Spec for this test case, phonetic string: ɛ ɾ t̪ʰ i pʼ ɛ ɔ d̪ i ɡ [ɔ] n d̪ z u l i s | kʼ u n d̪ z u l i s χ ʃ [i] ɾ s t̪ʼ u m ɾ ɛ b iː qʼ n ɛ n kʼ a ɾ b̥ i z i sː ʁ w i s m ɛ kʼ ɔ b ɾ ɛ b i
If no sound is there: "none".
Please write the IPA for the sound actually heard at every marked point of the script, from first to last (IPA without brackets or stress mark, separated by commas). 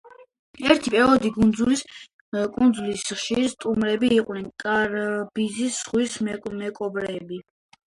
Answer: u, i